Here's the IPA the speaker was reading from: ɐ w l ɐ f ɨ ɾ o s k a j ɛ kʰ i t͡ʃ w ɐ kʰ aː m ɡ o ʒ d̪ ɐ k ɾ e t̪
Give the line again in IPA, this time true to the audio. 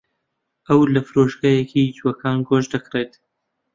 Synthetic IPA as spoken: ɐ w l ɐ f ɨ ɾ o ʃ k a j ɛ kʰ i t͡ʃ w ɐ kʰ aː n ɡ o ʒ d̪ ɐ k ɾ e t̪